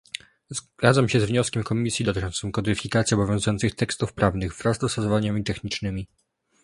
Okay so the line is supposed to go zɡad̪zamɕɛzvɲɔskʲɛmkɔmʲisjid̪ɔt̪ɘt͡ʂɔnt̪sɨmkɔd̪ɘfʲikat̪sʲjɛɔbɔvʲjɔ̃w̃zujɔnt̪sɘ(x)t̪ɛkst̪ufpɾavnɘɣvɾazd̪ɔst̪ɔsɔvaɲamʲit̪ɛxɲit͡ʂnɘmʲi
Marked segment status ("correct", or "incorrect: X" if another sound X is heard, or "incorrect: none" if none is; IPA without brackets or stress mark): correct